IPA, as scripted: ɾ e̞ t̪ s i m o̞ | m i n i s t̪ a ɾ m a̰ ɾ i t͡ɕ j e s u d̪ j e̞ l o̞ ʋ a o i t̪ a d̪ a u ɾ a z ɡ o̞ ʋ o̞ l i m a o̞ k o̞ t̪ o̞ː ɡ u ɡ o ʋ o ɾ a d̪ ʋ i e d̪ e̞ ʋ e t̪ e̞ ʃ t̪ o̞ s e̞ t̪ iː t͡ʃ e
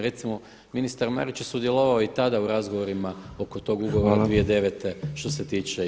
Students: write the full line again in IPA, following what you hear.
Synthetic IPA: ɾ e̞ t̪ s i m o̞ | m i n i s t̪ a ɾ m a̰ ɾ i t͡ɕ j e s u d̪ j e̞ l o̞ ʋ a o i t̪ a d̪ a u ɾ a z ɡ o̞ ʋ o̞ ɾ i m a o̞ k o̞ t̪ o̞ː ɡ u ɡ o ʋ o ɾ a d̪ ʋ i e d̪ e̞ ʋ e t̪ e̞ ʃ t̪ o̞ s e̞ t̪ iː t͡ʃ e